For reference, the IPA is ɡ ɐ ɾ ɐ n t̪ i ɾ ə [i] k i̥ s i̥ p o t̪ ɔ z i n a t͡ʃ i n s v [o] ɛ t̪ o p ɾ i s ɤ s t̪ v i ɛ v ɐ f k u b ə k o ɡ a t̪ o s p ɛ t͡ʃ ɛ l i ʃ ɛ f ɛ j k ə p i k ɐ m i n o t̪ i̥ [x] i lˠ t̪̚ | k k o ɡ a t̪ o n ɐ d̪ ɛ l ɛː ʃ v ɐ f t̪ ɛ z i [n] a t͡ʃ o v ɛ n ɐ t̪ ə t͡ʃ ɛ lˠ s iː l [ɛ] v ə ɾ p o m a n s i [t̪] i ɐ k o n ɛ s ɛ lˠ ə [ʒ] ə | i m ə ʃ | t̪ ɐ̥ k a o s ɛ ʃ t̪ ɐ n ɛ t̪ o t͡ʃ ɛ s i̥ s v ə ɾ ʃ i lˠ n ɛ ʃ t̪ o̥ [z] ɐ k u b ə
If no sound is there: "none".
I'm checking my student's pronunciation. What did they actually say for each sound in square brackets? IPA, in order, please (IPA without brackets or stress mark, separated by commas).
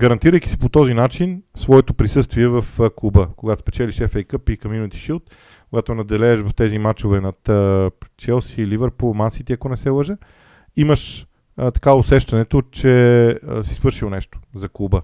j, ɔ, ʃ, m, i, t̪, ʒ, z